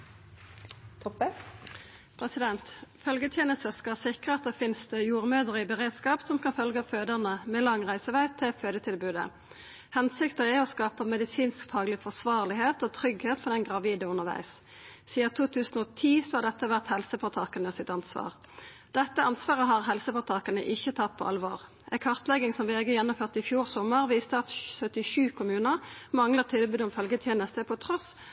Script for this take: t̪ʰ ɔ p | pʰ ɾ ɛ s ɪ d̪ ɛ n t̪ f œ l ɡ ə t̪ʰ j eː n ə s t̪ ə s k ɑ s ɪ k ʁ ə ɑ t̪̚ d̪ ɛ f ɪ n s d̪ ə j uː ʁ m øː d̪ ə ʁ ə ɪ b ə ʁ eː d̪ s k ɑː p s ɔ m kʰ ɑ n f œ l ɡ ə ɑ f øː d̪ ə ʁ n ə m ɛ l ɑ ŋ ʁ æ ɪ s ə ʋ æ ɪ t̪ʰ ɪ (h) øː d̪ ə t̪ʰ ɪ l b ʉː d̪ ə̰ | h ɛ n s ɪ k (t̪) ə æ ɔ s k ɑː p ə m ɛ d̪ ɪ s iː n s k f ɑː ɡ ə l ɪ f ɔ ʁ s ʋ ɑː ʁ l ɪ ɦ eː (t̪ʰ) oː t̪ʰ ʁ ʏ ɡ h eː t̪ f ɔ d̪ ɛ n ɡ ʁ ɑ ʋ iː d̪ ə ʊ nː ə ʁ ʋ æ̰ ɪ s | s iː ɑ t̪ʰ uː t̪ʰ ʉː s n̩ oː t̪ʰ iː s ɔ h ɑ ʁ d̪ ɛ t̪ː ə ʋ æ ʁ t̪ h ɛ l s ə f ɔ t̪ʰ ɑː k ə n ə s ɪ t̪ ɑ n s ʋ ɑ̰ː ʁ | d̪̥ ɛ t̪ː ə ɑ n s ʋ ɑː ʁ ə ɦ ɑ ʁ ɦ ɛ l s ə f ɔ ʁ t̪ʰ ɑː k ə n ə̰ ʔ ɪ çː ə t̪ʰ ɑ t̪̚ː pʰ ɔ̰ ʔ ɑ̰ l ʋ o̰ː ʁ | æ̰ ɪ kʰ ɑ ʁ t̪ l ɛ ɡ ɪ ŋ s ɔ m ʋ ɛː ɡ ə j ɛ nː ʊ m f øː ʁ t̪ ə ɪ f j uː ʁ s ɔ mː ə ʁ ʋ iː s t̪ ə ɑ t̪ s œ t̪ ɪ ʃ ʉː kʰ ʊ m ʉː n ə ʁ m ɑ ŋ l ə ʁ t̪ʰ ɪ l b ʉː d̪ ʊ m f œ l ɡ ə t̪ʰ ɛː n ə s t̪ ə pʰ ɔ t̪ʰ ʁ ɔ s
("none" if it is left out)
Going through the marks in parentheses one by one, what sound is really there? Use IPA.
f, t̪, t̪

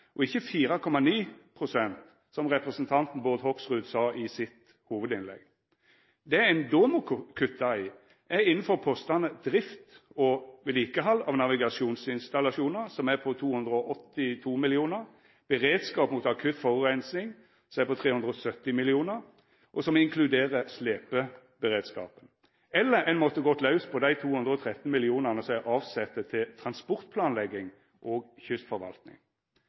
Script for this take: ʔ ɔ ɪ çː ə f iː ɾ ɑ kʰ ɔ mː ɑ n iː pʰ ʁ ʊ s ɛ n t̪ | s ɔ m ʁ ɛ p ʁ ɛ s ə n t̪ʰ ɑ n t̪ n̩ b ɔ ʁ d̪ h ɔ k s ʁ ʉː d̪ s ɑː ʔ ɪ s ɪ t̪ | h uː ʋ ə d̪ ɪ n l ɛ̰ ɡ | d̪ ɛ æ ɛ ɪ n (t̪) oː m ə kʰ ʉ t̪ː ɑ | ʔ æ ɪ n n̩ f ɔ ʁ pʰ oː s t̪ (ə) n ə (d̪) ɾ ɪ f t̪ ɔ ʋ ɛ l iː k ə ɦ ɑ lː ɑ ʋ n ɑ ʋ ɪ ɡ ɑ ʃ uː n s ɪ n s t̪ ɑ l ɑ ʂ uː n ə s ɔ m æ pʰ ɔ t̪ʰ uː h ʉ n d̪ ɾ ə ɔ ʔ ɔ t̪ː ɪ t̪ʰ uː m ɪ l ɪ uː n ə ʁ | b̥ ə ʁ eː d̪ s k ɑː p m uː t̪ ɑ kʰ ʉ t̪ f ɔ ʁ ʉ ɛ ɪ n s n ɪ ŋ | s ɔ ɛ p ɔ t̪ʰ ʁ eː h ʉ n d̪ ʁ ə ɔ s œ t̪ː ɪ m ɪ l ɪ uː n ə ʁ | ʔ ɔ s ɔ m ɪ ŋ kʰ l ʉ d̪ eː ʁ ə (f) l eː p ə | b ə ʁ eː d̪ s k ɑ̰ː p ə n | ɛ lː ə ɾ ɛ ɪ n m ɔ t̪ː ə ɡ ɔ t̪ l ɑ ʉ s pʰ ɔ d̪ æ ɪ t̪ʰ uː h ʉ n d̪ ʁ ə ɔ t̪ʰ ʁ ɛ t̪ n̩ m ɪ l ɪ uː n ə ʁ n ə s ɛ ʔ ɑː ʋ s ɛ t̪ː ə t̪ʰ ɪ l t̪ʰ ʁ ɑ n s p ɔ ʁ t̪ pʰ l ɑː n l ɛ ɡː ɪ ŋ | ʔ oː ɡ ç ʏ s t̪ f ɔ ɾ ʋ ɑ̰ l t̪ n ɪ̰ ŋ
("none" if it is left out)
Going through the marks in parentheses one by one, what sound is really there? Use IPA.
d̪, ɑ, d̪, s

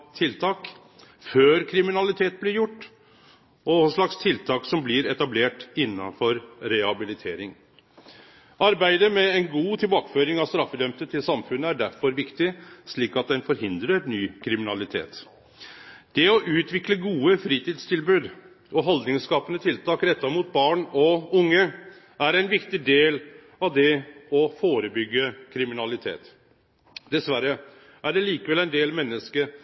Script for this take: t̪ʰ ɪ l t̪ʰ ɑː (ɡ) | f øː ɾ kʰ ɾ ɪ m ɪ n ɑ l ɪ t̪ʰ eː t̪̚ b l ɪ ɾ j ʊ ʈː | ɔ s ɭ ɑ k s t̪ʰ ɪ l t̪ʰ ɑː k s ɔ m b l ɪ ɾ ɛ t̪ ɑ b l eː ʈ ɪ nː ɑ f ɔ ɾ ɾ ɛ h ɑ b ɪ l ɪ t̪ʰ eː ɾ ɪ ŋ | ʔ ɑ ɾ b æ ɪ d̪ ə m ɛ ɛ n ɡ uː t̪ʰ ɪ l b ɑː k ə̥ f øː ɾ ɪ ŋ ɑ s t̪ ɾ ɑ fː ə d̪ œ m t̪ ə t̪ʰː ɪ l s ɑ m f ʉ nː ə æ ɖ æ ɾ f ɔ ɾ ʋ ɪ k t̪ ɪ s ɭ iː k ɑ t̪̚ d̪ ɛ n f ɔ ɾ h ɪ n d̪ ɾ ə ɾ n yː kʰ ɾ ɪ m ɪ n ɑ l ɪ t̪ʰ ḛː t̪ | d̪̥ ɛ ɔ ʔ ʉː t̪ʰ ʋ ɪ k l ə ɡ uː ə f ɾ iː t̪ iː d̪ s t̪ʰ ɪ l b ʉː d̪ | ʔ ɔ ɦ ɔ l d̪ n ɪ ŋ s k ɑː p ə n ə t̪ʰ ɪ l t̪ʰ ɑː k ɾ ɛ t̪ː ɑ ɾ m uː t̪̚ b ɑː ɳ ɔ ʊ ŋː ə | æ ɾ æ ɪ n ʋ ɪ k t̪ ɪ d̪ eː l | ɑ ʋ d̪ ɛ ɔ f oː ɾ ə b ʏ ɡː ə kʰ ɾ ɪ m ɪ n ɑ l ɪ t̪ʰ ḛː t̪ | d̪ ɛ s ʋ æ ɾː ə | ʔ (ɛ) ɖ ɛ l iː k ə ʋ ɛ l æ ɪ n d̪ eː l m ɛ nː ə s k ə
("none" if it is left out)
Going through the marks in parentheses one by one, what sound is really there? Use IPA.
k, æ

